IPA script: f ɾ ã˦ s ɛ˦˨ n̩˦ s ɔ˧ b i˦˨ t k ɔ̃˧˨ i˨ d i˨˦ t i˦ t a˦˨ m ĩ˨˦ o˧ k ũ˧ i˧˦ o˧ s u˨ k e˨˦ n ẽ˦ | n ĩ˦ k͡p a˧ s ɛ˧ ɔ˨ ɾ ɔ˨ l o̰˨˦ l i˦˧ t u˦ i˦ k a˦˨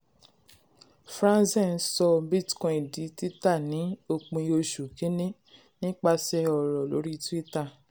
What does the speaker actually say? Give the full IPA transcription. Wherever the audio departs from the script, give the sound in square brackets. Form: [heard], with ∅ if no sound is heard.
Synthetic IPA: f ɾ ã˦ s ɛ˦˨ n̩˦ s ɔ˧ b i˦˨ t k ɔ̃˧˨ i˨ d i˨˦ t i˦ t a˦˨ [n] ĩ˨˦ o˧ [k͡p] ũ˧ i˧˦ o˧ [ʃ] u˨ k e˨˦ n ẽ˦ | n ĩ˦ k͡p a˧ s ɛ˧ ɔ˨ ɾ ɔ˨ l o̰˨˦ [ɾ] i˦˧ t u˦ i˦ [t] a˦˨